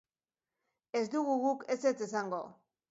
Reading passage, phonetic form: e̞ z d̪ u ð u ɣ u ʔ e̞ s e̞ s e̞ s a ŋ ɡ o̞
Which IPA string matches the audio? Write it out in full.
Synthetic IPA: e̞ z d̪ u ɣ u ɣ u k e̞ s e̞ t͡s e̞ s a ŋ ɡ o̞